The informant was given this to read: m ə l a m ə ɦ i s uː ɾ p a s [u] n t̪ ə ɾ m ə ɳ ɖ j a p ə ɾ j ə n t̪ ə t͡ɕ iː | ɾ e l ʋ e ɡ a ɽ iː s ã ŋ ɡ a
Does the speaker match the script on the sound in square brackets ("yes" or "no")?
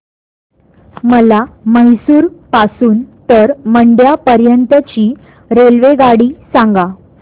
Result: no